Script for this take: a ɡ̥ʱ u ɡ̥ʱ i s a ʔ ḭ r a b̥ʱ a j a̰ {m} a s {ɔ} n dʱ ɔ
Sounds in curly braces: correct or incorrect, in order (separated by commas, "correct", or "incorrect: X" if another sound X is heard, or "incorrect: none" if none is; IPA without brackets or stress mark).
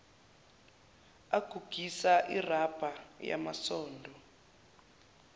correct, incorrect: ɔː